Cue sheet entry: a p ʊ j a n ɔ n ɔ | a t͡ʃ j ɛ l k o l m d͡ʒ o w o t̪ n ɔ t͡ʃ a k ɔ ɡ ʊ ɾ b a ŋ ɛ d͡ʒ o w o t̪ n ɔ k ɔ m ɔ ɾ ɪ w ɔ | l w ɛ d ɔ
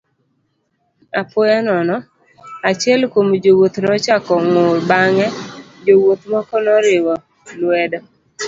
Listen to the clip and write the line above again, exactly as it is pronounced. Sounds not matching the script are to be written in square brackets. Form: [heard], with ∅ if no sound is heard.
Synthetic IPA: a p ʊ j a n ɔ n ɔ | a t͡ʃ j ɛ l k o [∅] m d͡ʒ o w o t̪ n ɔ t͡ʃ a k ɔ [ŋ] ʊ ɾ b a ŋ ɛ d͡ʒ o w o t̪ [m] ɔ k ɔ [n] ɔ ɾ ɪ w ɔ | l w ɛ d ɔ